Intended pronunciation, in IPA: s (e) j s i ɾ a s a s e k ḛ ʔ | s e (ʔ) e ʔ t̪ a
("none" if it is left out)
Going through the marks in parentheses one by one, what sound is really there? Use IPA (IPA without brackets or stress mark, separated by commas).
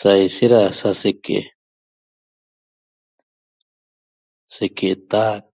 a, k